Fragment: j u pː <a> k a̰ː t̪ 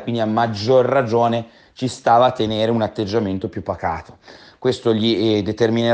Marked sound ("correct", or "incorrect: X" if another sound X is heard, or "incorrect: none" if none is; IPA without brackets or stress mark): correct